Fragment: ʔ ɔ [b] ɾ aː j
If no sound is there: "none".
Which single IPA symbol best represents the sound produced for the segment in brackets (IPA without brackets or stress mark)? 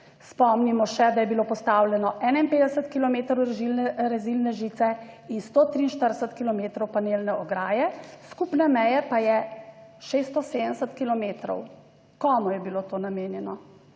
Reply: ɡ